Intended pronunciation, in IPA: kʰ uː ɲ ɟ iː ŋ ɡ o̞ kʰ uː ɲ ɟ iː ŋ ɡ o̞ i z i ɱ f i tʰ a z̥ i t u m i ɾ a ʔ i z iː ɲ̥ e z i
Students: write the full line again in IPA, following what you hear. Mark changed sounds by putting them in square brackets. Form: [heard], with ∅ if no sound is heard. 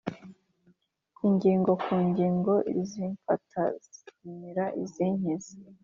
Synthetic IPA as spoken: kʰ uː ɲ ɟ iː ŋ ɡ o̞ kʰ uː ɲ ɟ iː ŋ ɡ o̞ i z i ɱ f [a] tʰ a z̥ i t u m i ɾ a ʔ i z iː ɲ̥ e z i